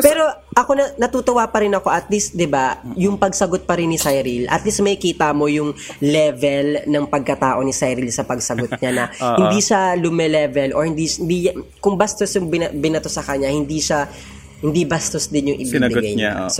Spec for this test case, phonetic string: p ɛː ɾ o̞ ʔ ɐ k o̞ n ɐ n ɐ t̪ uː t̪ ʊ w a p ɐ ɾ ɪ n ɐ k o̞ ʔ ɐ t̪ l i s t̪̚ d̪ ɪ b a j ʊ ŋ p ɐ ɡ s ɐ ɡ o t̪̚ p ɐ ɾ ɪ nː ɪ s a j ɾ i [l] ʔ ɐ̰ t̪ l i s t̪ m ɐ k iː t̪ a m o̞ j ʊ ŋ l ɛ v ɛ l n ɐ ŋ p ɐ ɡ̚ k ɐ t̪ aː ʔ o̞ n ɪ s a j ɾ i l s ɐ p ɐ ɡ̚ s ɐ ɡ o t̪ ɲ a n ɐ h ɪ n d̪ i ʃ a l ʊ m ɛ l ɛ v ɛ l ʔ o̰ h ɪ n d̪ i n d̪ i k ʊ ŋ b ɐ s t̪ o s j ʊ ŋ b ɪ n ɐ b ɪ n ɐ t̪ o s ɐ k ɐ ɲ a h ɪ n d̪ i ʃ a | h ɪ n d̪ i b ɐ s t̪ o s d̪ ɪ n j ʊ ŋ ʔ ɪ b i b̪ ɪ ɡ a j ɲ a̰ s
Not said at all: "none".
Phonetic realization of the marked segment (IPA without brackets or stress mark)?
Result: l